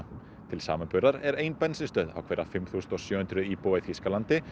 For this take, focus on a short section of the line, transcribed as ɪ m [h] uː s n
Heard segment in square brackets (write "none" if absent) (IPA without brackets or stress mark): θ